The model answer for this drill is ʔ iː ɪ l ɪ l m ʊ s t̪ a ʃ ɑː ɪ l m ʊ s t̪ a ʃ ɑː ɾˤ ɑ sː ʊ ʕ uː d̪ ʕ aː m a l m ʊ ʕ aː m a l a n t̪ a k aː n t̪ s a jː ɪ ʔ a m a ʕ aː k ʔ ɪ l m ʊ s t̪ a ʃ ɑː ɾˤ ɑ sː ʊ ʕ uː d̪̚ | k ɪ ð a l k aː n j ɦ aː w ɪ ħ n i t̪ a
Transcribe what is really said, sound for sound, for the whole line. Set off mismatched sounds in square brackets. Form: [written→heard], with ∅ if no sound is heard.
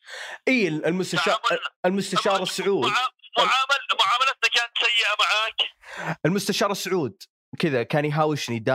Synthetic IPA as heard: ʔ iː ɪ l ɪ l m ʊ s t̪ a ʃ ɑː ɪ l m ʊ s t̪ a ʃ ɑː ɾˤ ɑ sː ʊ ʕ uː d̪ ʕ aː m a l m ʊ ʕ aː m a l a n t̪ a k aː n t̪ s a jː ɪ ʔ a m a ʕ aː k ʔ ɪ l m ʊ s t̪ a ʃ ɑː ɾˤ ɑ sː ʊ ʕ uː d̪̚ | k ɪ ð a [l→∅] k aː n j ɦ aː w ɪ [ħ→ʃ] n i [t̪→d̪] a